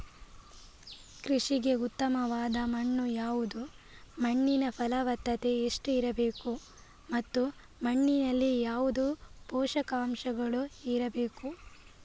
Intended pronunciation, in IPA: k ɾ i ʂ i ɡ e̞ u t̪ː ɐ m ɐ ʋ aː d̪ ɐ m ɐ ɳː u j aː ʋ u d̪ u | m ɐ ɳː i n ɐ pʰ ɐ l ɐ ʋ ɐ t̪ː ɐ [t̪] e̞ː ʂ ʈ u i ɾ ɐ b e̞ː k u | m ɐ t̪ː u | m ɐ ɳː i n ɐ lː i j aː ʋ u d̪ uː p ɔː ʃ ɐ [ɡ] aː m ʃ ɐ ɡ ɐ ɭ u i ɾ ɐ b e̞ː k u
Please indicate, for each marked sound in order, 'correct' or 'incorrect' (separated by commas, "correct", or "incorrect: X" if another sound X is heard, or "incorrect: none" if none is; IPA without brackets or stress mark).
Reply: correct, incorrect: k